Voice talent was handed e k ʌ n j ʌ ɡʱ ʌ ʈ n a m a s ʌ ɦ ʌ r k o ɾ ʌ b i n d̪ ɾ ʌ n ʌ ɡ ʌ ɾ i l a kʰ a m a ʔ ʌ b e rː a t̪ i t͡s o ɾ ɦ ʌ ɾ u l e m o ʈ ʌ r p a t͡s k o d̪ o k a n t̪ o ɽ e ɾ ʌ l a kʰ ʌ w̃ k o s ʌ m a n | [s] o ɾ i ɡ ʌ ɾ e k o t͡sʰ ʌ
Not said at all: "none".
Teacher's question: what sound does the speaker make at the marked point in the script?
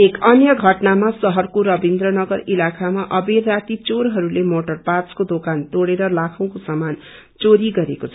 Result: t͡s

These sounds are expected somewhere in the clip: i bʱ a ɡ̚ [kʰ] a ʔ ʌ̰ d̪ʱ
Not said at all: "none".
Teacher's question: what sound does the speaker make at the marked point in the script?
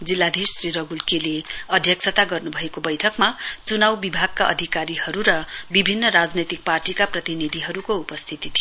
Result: k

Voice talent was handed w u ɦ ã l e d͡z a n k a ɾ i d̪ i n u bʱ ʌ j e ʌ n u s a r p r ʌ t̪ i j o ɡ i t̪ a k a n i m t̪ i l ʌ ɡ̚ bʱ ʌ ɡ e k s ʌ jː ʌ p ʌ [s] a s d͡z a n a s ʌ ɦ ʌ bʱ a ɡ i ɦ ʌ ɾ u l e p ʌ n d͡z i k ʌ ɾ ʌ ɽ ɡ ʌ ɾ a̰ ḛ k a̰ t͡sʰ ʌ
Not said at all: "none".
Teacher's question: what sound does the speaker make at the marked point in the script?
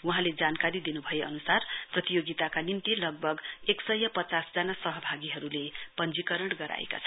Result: t͡s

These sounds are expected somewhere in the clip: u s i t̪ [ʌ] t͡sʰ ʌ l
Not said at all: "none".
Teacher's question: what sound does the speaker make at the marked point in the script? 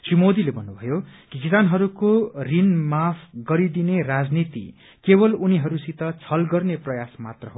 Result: ʌ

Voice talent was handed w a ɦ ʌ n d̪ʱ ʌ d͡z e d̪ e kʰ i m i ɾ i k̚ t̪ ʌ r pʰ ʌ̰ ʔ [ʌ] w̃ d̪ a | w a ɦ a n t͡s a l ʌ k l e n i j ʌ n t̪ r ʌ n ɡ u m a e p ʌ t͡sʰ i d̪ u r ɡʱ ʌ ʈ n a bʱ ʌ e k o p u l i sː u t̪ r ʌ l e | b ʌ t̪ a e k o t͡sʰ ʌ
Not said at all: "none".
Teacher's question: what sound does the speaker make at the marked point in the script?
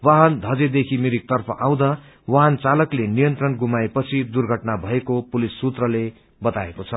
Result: a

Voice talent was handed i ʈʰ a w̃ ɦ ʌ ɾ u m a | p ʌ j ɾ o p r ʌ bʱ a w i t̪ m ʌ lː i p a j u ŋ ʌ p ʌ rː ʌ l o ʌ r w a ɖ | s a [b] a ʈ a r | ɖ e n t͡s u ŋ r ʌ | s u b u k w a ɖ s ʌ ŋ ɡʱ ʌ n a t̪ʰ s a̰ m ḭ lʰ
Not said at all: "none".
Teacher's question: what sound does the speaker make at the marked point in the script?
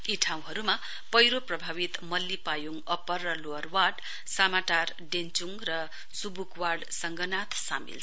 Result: m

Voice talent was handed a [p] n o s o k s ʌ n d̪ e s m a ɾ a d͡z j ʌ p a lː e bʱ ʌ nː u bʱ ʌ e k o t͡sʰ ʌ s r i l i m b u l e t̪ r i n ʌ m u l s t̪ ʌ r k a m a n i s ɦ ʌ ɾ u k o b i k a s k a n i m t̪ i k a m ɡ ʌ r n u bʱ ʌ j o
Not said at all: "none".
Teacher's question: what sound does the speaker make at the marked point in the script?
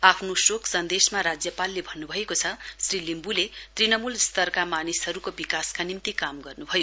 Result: pʰ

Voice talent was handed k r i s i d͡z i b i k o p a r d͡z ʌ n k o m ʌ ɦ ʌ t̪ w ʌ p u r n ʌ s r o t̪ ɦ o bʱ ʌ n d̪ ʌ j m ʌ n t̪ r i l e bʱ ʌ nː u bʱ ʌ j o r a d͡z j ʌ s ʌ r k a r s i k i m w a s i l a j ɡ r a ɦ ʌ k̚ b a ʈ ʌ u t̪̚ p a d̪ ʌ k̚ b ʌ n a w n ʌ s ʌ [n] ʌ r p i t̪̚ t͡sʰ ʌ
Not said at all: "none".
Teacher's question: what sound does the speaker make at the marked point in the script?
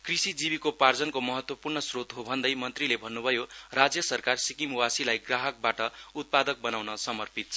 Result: m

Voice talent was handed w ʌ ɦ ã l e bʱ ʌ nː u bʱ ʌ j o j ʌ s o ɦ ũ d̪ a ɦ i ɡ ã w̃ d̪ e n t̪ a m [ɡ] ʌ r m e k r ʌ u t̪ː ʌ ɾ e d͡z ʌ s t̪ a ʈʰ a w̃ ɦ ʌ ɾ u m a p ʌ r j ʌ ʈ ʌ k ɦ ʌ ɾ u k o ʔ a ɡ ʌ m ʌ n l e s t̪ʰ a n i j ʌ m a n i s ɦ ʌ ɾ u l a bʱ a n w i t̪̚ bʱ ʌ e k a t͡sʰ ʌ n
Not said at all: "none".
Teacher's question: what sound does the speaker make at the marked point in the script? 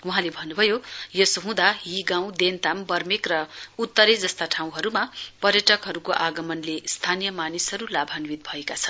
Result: b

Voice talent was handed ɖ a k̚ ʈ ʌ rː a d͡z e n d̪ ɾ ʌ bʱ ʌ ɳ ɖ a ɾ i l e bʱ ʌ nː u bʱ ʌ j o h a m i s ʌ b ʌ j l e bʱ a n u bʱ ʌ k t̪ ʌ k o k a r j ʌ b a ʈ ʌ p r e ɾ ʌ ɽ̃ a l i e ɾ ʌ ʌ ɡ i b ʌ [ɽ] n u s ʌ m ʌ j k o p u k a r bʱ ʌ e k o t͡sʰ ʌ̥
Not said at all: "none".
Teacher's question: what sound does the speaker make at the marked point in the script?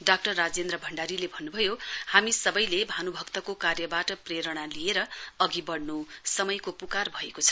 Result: ɽ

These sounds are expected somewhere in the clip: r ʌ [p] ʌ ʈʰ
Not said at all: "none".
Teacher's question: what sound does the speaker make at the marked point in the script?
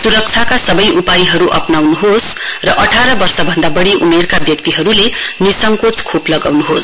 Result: ʔ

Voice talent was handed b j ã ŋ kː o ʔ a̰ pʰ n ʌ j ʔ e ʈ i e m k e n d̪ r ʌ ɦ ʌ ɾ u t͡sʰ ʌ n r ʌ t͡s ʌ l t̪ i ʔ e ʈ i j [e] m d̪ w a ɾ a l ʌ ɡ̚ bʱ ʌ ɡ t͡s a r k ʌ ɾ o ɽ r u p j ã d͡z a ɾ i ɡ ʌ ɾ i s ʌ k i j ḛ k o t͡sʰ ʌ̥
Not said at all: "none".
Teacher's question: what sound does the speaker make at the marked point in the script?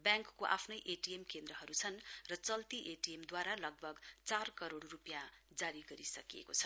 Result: e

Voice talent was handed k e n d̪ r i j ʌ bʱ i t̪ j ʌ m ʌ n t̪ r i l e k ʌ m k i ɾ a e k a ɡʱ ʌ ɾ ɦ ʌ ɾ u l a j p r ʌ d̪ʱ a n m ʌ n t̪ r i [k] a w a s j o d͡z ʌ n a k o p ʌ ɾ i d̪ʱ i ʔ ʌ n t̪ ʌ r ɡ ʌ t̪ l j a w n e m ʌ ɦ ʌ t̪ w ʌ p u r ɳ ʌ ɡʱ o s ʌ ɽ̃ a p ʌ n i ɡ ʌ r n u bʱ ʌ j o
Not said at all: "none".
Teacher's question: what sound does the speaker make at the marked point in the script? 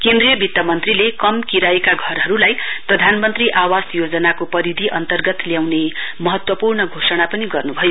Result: ʔ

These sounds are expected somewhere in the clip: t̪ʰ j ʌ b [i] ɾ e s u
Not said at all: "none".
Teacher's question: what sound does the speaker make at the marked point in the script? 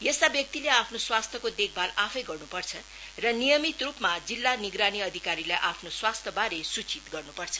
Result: a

